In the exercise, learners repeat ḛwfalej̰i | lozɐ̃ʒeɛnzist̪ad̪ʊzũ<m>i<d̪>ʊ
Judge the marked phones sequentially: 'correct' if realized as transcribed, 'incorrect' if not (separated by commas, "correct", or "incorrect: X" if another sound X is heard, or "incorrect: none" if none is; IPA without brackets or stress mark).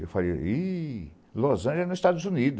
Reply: incorrect: n, correct